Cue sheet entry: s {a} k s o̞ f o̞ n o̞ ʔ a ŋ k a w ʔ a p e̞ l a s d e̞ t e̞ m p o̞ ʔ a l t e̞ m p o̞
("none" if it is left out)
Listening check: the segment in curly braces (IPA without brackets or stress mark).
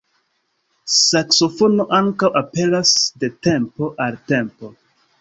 a